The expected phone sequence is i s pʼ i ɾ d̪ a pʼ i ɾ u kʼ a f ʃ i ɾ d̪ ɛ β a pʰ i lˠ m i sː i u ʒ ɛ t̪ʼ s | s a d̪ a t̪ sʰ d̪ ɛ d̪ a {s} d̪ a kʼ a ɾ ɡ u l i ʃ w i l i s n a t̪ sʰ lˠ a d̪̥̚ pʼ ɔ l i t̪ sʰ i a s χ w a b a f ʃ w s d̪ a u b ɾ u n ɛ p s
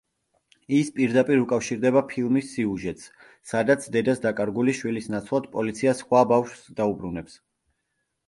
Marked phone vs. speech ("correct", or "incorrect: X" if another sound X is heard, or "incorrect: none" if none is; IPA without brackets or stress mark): correct